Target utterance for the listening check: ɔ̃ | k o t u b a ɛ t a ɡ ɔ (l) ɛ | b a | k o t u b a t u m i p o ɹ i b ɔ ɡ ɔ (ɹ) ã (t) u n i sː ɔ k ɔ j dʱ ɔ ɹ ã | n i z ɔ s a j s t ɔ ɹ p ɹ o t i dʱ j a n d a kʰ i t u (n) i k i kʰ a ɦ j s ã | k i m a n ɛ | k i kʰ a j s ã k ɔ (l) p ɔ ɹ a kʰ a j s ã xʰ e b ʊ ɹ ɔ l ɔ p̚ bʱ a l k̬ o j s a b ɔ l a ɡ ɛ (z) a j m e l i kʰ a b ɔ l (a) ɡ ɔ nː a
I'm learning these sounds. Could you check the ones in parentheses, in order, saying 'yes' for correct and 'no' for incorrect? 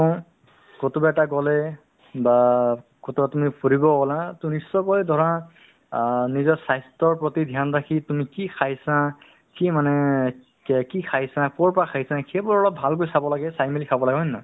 yes, no, yes, no, no, no, yes

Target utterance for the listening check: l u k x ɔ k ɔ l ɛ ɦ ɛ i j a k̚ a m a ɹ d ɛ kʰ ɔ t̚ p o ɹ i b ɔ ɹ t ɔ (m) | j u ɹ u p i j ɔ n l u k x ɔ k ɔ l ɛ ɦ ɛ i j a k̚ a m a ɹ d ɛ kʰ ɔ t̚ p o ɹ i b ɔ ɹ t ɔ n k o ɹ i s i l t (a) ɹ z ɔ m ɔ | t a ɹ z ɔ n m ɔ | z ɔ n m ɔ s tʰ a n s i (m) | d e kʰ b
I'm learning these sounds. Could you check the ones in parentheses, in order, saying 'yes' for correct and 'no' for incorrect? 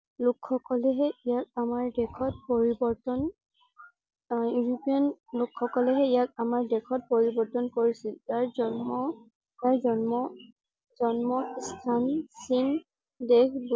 no, yes, no

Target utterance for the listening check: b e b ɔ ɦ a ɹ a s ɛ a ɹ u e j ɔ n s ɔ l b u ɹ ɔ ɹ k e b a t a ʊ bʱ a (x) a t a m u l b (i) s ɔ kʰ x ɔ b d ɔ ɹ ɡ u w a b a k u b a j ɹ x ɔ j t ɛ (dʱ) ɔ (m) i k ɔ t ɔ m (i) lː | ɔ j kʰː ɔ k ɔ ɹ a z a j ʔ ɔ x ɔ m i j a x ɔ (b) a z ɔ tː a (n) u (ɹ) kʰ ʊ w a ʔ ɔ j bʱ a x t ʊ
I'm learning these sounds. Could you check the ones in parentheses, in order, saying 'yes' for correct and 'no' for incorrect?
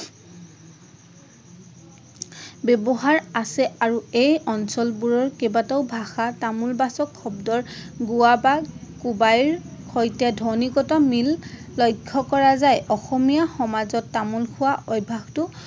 yes, no, yes, no, yes, no, no, no

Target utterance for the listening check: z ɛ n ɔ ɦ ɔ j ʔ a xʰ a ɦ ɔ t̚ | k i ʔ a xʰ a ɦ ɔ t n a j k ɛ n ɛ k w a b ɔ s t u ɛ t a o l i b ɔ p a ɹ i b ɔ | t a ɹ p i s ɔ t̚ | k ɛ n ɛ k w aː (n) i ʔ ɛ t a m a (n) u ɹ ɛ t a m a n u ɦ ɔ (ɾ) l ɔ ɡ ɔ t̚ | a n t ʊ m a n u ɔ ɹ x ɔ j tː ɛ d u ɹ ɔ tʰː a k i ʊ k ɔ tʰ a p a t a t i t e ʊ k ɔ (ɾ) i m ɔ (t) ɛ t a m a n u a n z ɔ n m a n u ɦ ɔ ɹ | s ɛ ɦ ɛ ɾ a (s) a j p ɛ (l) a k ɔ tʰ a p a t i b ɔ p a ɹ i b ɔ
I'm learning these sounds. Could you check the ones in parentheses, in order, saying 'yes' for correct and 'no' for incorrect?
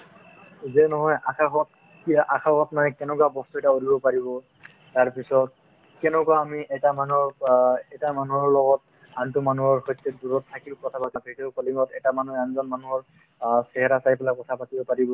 no, yes, no, no, yes, yes, yes

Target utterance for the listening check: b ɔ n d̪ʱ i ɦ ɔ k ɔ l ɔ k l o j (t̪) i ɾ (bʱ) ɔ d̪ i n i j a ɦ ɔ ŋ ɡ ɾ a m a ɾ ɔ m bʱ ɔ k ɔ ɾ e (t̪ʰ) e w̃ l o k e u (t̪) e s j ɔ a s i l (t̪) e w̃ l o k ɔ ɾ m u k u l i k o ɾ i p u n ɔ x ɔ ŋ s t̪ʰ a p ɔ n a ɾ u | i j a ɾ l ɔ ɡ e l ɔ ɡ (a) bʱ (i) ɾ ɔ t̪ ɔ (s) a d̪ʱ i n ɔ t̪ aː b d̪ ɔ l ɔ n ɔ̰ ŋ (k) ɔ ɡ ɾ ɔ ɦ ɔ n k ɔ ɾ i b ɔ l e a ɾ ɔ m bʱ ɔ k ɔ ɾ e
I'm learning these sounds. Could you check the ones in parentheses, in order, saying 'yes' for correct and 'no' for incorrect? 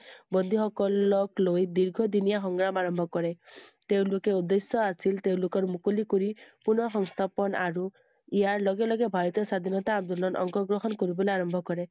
no, no, no, no, yes, no, no, yes, yes

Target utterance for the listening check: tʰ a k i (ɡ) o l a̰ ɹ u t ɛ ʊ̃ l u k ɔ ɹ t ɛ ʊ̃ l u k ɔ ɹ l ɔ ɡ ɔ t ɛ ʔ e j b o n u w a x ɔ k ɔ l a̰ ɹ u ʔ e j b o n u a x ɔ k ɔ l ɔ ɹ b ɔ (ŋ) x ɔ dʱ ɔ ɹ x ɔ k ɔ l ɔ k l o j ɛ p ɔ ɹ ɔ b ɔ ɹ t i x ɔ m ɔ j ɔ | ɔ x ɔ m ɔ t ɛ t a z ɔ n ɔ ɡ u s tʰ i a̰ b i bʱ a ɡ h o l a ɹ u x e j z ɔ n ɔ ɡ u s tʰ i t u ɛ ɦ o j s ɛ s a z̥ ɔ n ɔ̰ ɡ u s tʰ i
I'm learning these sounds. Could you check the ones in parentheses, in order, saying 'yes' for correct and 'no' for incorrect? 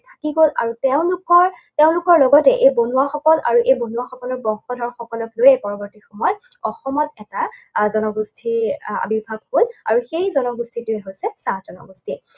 yes, yes

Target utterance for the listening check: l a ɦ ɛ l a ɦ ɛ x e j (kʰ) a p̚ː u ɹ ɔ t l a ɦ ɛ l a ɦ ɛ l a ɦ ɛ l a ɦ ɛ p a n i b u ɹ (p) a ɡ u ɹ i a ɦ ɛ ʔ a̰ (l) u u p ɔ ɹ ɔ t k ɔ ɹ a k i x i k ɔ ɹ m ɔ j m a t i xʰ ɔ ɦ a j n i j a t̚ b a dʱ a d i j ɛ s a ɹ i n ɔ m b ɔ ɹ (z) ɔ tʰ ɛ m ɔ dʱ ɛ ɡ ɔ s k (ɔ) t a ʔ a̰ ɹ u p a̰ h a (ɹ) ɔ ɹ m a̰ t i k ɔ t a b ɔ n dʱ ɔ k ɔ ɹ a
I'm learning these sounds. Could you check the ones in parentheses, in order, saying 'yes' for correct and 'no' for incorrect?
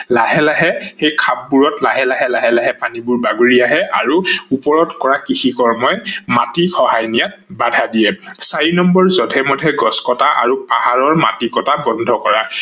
yes, no, no, yes, yes, yes

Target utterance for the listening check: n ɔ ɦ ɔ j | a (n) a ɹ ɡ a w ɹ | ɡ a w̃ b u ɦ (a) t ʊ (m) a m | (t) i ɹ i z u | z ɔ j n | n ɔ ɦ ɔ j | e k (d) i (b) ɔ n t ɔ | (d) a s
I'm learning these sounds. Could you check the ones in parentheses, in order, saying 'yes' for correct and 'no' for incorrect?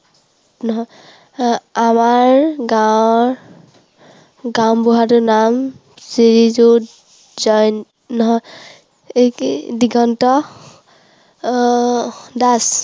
no, yes, no, no, yes, no, yes

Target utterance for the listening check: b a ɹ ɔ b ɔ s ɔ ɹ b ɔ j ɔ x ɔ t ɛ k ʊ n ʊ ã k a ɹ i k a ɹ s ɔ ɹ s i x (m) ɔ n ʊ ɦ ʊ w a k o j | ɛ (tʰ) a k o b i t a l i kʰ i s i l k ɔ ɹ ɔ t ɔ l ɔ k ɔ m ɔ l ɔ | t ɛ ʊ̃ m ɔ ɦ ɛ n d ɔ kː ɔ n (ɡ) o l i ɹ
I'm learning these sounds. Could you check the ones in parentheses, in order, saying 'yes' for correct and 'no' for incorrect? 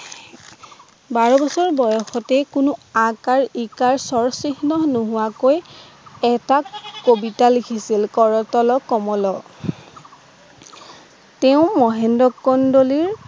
no, no, no

